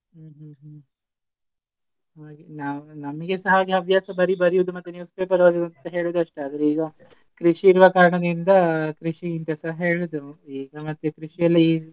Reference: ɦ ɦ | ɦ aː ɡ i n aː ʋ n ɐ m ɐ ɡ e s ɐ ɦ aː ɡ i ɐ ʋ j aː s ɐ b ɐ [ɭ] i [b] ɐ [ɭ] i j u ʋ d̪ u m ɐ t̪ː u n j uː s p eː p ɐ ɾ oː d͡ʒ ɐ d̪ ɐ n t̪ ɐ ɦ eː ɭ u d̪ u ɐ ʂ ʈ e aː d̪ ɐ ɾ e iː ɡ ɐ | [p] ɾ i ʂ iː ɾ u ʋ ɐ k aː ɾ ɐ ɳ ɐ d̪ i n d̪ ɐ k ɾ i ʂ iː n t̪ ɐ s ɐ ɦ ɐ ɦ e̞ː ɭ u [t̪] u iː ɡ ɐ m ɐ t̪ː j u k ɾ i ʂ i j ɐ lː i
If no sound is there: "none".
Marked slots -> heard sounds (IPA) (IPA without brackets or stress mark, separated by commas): ɾ, b, ɾ, k, d̪